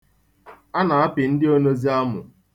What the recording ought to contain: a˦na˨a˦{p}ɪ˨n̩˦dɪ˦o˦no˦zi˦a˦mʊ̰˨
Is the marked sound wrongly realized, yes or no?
no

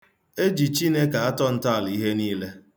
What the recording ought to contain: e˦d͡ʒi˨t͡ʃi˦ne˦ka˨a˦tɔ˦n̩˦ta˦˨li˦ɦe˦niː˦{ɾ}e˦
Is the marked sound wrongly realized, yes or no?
yes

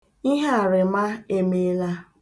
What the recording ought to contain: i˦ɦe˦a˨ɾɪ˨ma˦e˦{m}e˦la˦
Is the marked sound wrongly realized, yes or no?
no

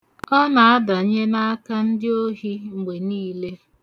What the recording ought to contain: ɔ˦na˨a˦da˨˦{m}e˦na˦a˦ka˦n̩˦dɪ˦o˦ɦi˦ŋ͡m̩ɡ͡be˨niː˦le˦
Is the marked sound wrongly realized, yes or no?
yes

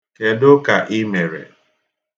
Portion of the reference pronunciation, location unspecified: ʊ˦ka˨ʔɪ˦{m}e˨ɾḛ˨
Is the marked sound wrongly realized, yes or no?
no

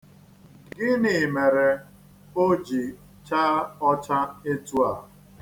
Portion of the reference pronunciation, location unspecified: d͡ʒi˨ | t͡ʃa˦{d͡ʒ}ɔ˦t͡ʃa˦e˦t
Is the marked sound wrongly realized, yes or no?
yes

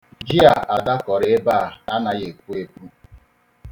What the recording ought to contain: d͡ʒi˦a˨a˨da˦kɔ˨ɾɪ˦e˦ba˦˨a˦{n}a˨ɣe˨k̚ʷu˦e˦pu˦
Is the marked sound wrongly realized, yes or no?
no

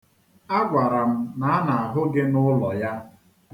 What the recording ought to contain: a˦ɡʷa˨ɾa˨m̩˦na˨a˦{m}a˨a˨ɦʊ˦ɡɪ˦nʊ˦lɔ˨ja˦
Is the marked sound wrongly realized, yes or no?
yes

